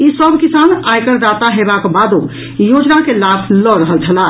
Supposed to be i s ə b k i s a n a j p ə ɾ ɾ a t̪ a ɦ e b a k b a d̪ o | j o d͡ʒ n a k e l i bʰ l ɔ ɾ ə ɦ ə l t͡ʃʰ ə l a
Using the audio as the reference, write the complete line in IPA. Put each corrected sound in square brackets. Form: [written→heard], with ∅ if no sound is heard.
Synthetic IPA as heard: i s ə b k i s a n a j [p→k] ə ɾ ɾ a t̪ a ɦ e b a k b a d̪ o | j o d͡ʒ n a k e l [i→a] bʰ l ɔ ɾ ə ɦ ə l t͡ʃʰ ə l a